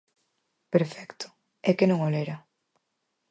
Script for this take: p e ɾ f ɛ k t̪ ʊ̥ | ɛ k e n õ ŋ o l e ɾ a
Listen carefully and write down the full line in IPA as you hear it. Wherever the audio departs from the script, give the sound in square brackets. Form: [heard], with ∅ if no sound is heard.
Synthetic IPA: p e ɾ f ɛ k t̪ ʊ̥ | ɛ k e n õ ŋ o l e ɾ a